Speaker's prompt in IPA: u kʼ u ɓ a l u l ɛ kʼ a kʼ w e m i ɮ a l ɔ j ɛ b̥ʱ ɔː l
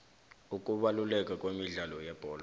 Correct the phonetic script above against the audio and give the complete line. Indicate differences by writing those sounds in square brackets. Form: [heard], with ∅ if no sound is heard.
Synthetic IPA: u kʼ u ɓ a l u l ɛ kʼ a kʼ w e m i ɮ a l ɔ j ɛ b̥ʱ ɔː l